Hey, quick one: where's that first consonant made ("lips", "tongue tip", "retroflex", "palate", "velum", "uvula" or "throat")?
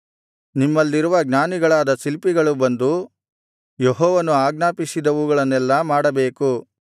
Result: tongue tip